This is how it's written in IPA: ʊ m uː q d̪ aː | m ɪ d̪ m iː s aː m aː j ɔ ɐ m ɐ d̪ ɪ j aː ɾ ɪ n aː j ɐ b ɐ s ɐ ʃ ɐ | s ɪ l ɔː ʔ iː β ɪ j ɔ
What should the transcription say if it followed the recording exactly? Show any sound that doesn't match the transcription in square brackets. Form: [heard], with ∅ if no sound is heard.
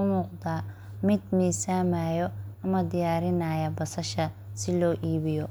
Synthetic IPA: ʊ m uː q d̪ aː | m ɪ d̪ m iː s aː m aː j ɔ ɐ m ɐ d̪ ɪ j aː ɾ ɪ n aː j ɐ b ɐ s ɐ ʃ ɐ | s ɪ l ɔː ʔ iː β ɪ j ɔ